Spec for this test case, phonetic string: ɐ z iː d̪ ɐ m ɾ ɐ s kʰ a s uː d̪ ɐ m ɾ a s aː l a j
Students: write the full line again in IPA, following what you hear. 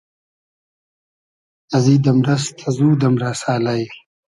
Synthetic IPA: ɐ z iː d̪ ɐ m ɾ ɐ s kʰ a z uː d̪ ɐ m ɾ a s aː l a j